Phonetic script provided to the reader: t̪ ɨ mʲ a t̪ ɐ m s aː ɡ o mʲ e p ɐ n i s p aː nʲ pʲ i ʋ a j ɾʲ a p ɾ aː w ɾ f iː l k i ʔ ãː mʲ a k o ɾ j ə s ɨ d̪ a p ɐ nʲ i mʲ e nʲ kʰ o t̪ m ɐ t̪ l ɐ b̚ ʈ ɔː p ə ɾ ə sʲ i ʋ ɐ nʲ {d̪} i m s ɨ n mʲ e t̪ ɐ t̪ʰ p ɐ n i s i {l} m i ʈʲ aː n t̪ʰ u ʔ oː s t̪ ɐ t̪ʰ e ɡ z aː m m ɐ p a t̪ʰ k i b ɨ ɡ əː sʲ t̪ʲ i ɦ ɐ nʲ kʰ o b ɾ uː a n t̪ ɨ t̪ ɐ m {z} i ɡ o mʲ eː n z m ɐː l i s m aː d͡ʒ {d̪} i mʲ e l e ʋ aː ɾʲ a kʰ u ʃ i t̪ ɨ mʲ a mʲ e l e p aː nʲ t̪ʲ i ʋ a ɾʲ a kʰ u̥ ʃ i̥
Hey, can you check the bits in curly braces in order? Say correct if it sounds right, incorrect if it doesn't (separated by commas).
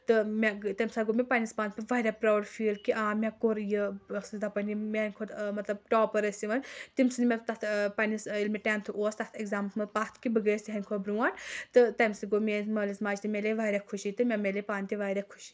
incorrect, correct, incorrect, incorrect